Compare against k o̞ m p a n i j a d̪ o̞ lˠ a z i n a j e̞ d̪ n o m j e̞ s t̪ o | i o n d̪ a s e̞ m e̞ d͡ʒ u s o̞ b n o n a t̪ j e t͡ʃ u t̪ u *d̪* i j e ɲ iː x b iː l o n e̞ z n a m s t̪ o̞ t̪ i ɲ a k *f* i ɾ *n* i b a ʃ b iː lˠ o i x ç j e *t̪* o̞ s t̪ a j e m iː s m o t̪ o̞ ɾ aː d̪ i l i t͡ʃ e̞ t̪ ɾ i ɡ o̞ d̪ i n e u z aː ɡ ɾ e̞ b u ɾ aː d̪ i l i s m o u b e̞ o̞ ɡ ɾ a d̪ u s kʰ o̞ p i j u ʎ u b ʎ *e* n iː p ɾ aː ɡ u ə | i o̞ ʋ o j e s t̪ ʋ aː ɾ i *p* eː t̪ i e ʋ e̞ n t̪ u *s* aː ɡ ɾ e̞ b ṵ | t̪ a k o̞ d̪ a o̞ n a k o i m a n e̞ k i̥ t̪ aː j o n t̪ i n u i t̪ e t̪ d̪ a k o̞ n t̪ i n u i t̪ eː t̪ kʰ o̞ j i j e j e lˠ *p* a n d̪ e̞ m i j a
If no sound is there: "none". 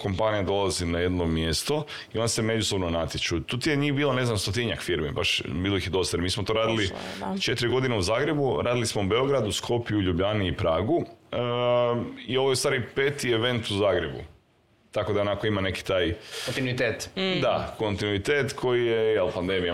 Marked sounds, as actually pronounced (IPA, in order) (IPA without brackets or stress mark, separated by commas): t̪, f, m, d̪, a, p, z, p